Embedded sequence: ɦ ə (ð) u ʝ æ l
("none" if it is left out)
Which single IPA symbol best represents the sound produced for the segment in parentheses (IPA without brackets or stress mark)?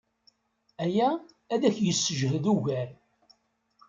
ð